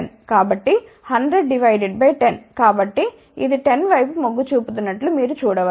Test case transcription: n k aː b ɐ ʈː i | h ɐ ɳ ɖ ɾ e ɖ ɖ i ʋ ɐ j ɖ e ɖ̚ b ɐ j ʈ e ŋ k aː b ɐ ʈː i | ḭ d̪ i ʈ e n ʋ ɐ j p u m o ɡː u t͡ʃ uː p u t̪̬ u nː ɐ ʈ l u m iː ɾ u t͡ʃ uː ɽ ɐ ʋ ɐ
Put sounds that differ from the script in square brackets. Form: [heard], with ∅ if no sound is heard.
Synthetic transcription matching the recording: n k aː b ɐ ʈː i | h ɐ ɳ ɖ ɾ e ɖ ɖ i ʋ ɐ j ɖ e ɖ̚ b ɐ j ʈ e [n] k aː b ɐ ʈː i | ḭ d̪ i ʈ e n ʋ ɐ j p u m o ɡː u t͡ʃ uː p u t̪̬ u nː ɐ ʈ l u m iː ɾ u t͡ʃ uː ɽ ɐ ʋ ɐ